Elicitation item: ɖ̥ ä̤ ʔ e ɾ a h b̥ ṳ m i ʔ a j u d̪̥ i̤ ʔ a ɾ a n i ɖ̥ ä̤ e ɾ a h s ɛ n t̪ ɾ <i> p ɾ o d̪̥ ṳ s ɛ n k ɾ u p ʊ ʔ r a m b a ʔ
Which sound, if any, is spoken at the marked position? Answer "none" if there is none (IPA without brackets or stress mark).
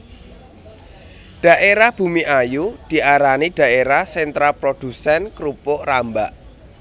a